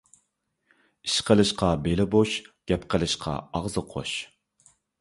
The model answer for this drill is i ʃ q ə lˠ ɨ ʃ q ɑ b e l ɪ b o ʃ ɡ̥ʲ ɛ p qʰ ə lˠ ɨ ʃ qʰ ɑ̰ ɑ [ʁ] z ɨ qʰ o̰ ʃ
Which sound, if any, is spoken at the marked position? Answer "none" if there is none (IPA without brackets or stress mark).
ʁ